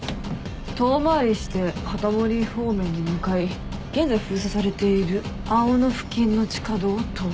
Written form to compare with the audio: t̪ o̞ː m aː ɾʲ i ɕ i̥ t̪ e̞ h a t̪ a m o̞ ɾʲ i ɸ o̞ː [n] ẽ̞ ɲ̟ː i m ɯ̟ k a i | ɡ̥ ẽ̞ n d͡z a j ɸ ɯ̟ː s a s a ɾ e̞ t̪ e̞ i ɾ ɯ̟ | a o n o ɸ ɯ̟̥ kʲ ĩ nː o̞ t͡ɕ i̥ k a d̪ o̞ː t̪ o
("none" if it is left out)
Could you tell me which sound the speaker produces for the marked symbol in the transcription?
m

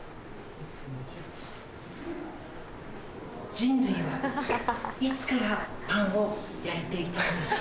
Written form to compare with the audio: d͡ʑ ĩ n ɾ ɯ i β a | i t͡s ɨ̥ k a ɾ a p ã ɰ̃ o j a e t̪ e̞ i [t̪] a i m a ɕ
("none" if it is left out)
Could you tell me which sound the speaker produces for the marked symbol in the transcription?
t̪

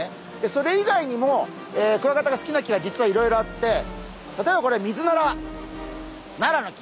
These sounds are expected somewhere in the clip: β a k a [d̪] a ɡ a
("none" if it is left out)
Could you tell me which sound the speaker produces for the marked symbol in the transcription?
t̪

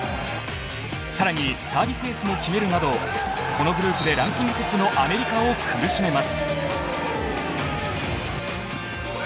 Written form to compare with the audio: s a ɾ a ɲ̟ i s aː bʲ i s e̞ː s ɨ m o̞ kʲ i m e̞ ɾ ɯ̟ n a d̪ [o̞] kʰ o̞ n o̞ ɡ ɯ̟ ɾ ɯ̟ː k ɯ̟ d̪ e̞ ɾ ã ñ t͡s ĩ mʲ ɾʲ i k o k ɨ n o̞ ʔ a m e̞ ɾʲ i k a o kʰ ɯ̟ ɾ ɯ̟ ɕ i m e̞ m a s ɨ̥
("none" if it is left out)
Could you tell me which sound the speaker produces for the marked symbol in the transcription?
o̞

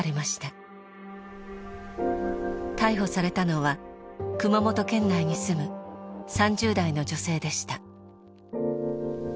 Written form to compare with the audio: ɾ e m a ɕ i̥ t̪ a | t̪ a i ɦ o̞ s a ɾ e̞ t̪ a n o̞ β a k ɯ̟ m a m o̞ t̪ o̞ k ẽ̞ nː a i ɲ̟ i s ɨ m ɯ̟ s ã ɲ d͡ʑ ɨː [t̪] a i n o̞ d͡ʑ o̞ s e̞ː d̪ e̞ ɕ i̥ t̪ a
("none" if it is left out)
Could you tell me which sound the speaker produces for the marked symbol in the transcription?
d̪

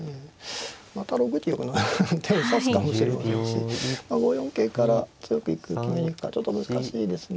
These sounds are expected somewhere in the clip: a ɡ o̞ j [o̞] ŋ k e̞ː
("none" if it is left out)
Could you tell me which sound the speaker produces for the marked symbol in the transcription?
õ̞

